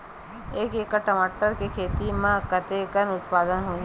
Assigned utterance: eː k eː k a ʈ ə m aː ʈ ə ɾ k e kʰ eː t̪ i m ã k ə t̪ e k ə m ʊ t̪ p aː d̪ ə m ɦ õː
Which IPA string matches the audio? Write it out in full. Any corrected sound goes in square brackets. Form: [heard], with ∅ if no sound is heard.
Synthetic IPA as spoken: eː k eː k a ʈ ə m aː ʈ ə ɾ k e kʰ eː t̪ i m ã k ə t̪ e k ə [n] ʊ t̪ p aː d̪ ə [n] ɦ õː

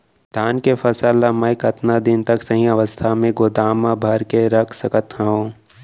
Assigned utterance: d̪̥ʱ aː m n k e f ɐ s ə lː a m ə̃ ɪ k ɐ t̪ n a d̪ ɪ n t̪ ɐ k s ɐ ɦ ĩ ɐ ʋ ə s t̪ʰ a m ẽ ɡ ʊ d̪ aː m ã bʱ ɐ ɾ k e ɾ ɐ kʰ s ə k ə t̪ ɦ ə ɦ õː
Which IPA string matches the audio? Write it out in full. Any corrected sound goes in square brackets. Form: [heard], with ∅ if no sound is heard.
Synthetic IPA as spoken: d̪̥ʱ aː [∅] n k e f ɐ s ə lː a m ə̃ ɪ k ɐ t̪ n a d̪ ɪ n t̪ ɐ k s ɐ ɦ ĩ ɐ ʋ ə s t̪ʰ a m ẽ ɡ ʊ d̪ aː m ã bʱ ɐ ɾ k e ɾ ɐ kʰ s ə k ə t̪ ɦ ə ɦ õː

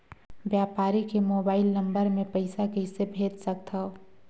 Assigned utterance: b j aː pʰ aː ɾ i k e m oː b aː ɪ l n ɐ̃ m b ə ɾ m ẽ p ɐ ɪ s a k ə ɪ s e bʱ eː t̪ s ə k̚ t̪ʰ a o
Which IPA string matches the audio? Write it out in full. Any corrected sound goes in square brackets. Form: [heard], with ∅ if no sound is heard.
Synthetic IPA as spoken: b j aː [p] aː ɾ i k e m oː b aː ɪ l n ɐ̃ m b ə ɾ m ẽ p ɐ ɪ s a k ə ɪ s e bʱ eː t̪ s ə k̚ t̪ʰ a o

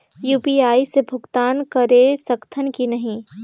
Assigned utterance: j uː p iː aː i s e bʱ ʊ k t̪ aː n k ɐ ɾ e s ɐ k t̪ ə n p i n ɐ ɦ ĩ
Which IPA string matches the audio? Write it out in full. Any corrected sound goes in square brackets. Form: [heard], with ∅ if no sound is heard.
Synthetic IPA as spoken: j uː p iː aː i s e bʱ ʊ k t̪ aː n k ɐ ɾ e s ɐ k [t̪ʰ] ə n [k] i n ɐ ɦ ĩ

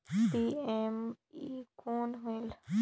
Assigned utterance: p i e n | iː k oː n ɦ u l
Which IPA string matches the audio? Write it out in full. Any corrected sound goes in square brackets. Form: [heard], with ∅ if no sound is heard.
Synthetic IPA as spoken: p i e [m] | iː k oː n ɦ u l

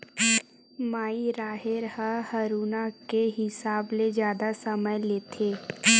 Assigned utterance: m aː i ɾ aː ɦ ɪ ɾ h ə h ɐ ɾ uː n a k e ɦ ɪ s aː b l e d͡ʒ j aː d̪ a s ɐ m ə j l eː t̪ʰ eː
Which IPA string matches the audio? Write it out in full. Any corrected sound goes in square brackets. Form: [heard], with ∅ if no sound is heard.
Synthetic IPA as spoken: m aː i ɾ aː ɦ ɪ ɾ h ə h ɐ ɾ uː n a k e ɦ ɪ s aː b l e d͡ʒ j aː d̪ a s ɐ m ə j l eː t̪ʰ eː

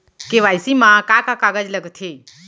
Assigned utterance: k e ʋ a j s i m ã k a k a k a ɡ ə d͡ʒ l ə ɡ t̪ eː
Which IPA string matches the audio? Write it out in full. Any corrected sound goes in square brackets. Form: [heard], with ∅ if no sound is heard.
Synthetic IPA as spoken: k e ʋ a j s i m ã k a k a k a ɡ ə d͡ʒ l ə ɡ [t̪ʰ] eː

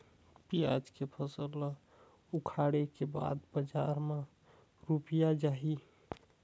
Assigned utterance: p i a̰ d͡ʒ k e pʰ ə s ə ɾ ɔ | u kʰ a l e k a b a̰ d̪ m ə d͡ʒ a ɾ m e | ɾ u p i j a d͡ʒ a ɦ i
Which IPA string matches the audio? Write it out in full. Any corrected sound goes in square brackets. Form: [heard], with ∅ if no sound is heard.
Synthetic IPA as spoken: p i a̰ d͡ʒ k e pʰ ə s ə [l] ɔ | u kʰ a [ɽ] e k [e] b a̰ d̪ [b] ə d͡ʒ a ɾ m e | ɾ u p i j a d͡ʒ a ɦ i

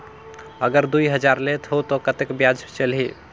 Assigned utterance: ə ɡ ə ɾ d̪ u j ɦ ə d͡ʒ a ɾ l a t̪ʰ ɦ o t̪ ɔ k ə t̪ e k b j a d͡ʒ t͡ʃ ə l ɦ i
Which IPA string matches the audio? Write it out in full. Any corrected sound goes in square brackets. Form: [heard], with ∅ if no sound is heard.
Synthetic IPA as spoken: ə ɡ ə ɾ d̪ u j ɦ ə d͡ʒ a ɾ l [e] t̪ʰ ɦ o t̪ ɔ k ə t̪ e k b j a d͡ʒ t͡ʃ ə l ɦ i

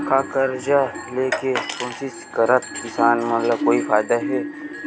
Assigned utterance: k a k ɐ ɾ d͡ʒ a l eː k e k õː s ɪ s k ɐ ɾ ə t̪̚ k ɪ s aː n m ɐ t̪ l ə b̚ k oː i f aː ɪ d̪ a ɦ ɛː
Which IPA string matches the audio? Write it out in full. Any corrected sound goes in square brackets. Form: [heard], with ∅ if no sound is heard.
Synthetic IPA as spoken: k a k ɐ ɾ d͡ʒ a l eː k e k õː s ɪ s k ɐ ɾ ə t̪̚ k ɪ s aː n m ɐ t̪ l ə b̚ k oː i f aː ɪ d̪ a ɦ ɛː

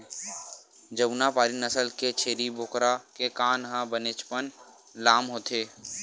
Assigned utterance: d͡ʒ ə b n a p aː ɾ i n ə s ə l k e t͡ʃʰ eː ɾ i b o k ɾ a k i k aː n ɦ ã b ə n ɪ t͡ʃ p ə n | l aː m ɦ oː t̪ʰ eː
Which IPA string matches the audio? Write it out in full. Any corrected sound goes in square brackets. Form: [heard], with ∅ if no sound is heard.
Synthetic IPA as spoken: d͡ʒ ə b n a p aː ɾ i n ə s ə l k e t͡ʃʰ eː ɾ i b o k ɾ a k [e] k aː n ɦ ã b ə n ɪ t͡ʃ p ə n | l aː m ɦ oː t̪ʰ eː

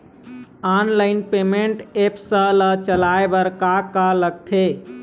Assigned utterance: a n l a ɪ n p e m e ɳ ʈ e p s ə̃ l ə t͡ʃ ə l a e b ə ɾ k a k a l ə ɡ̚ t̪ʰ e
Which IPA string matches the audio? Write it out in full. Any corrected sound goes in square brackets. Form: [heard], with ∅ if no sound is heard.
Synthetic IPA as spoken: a n l a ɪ n p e m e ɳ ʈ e p s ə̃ l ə t͡ʃ ə l a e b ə ɾ k a k a l ə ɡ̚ t̪ʰ e

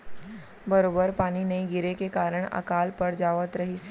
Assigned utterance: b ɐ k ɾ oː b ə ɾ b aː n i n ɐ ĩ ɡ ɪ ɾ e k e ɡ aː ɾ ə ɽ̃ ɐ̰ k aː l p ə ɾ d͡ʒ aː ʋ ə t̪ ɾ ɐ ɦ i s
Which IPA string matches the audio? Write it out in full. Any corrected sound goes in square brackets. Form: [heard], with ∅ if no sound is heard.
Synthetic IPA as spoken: b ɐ [∅] ɾ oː b ə ɾ [p] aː n i n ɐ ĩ ɡ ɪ ɾ e k e [k] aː ɾ ə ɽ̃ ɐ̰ k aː l p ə ɾ d͡ʒ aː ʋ ə t̪ ɾ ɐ ɦ i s

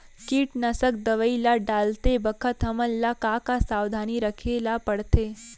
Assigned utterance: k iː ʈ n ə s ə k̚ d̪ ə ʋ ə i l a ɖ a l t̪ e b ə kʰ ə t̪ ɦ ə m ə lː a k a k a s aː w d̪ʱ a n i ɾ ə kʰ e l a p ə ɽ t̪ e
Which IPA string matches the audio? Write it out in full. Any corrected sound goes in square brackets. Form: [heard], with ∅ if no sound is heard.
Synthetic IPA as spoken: k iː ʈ n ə s ə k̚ d̪ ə ʋ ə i l a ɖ a l t̪ e b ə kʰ ə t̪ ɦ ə m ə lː a k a k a s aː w d̪ʱ a n i ɾ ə kʰ e l a p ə ɽ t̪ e

